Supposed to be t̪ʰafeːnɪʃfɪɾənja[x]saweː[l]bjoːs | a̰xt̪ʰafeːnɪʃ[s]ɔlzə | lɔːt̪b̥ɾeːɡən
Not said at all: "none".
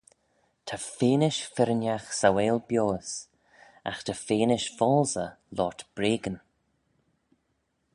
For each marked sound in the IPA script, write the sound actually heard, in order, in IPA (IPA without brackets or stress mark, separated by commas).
x, l, f